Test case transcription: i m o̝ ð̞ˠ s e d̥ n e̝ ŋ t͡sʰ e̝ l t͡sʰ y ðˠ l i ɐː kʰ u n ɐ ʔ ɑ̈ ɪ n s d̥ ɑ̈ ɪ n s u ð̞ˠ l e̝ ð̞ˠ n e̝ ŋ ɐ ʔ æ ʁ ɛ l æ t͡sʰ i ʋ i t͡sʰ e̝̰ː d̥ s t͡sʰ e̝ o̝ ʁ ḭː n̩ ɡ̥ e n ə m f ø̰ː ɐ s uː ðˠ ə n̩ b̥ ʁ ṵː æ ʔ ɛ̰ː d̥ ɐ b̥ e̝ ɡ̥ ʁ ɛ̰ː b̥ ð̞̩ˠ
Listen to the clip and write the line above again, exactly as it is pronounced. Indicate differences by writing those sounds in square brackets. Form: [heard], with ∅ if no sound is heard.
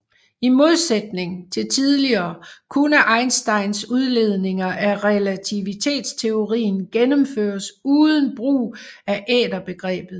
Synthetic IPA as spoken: i m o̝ ð̞ˠ s e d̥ n e̝ ŋ t͡sʰ e̝ l t͡sʰ [i] ðˠ l i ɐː kʰ u n [ə] ʔ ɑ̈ ɪ n s d̥ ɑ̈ ɪ n s u ð̞ˠ l e̝ ð̞ˠ n e̝ ŋ ɐ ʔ æ ʁ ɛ l æ t͡sʰ i ʋ i t͡sʰ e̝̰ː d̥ s t͡sʰ e̝ o̝ ʁ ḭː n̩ ɡ̥ e n ə m f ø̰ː ɐ s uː ðˠ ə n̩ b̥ ʁ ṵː æ ʔ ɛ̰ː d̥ ɐ b̥ e̝ ɡ̥ ʁ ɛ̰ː b̥ ð̞̩ˠ